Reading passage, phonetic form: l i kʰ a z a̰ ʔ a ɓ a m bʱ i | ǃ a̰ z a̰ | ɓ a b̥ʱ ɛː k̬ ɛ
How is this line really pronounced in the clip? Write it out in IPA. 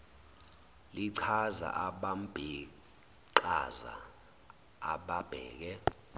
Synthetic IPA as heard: l i ǀʰ a z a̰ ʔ a ɓ a m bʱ i | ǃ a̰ z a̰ | ɓ a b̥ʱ ɛː k̬ ɛ